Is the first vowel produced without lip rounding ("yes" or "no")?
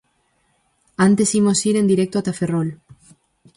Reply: yes